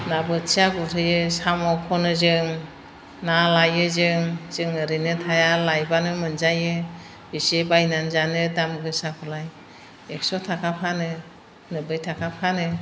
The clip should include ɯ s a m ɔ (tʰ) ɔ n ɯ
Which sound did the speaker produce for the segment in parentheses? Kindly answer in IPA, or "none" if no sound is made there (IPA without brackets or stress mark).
kʰ